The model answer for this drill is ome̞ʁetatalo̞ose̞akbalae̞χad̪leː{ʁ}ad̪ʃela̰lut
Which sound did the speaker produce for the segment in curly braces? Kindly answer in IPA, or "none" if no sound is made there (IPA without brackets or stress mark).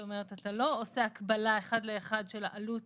χ